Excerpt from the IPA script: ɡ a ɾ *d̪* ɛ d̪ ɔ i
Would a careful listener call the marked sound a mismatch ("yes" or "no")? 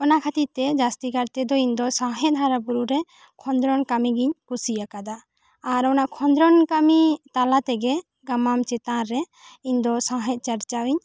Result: yes